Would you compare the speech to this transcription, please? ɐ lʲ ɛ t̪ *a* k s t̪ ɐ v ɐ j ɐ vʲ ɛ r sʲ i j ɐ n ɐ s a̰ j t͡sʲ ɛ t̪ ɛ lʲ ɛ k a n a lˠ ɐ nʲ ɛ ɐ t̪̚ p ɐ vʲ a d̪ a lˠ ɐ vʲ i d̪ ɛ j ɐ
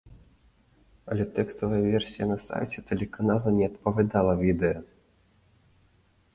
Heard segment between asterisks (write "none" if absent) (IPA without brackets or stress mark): ɛ